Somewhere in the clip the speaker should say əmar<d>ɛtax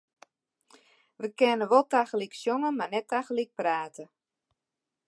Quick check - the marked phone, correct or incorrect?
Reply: incorrect: n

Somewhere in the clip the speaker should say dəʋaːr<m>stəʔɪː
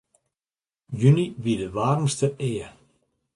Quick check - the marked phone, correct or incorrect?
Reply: correct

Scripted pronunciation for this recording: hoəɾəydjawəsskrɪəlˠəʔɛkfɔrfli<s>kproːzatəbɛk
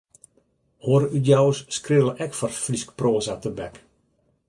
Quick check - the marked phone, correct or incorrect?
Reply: correct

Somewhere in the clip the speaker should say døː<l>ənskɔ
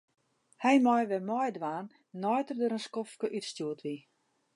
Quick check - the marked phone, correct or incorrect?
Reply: incorrect: ɾ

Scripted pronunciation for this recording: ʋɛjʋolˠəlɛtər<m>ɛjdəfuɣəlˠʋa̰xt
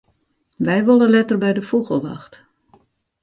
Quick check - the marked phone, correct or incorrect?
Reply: incorrect: b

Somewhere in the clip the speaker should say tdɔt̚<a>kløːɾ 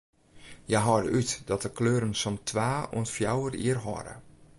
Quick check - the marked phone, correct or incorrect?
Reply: incorrect: ə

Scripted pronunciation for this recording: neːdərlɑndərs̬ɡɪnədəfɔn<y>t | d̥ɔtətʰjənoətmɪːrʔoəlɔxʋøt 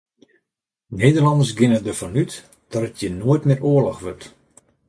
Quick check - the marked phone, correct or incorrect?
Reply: correct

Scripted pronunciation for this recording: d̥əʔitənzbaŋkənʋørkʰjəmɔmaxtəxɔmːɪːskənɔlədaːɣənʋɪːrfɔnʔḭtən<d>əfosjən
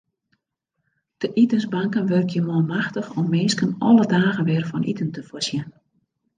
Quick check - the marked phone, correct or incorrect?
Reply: incorrect: t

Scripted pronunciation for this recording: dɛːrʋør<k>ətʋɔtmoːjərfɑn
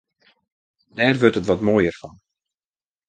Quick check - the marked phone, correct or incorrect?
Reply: incorrect: t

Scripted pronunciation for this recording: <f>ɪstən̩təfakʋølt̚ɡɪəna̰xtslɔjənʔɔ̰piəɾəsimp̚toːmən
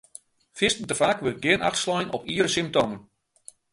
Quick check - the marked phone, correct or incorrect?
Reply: correct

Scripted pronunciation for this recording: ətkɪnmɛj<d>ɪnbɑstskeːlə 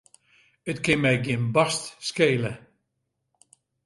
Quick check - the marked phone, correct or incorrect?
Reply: incorrect: ɡ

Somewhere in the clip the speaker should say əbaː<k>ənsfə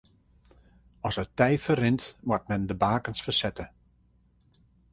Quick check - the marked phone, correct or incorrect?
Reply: correct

